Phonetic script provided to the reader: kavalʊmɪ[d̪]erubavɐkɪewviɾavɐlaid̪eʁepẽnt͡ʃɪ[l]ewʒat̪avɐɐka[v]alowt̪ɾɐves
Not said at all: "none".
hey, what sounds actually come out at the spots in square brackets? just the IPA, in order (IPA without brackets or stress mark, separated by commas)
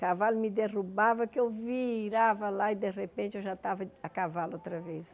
d̪, none, v